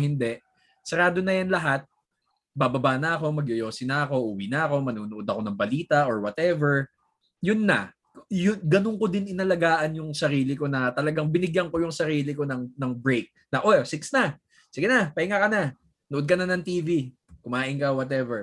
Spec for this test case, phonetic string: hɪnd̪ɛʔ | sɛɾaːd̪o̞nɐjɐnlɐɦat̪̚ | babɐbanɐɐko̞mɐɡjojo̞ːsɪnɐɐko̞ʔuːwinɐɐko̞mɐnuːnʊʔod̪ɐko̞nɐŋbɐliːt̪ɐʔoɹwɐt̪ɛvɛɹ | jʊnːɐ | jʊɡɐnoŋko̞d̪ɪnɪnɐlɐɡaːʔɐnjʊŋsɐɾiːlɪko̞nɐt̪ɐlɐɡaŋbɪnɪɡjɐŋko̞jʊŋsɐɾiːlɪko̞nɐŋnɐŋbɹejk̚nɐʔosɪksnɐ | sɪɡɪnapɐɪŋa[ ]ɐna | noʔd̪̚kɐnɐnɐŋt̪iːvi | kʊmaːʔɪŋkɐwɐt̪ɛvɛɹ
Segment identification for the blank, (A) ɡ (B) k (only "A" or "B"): B